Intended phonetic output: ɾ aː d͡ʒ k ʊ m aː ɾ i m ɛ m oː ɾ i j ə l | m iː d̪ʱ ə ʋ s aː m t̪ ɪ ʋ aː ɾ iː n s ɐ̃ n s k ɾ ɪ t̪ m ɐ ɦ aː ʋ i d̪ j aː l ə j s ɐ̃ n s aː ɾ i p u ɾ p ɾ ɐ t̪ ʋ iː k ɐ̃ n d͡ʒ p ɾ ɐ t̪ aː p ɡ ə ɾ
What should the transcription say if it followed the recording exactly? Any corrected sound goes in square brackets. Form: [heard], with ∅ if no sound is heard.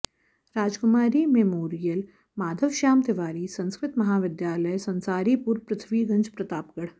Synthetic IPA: ɾ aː d͡ʒ k ʊ m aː ɾ i m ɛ m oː ɾ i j ə l | m [aː] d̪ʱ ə ʋ [ʃ] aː m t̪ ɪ ʋ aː ɾ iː [∅] s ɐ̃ n s k ɾ ɪ t̪ m ɐ ɦ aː ʋ [ɪ] d̪ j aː l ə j s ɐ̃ n s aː ɾ i p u ɾ p ɾ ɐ [t̪ʰ] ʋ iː [ɡ] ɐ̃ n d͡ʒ p ɾ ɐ t̪ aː p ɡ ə [ɽ]